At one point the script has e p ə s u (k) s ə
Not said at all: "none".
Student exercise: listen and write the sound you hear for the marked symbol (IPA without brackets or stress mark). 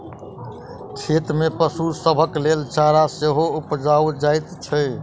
none